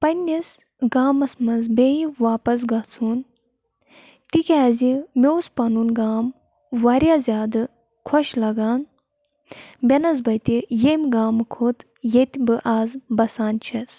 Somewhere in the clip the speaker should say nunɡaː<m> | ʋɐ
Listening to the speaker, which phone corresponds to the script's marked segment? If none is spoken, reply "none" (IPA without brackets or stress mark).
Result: m